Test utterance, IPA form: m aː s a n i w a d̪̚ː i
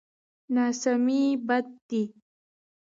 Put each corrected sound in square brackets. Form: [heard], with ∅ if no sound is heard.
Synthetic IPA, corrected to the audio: [n] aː s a [m] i [b] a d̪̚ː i